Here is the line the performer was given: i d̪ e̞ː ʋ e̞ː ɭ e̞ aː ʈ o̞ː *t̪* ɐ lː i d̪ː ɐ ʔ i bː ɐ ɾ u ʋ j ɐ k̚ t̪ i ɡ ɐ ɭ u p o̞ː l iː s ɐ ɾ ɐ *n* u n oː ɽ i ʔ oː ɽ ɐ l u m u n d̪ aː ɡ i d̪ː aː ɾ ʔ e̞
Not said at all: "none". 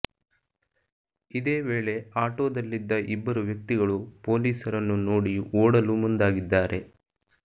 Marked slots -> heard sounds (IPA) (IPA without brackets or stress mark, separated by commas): d̪, nː